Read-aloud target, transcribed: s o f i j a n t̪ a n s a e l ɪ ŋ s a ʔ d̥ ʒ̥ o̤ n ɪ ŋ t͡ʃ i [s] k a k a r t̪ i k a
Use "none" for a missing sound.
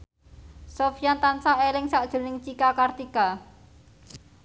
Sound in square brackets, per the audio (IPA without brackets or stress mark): none